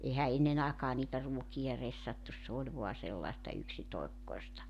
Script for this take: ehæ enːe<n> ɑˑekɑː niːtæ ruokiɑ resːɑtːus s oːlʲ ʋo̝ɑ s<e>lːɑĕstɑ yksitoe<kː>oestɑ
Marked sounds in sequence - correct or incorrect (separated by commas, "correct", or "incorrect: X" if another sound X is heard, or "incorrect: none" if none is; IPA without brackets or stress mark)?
correct, correct, correct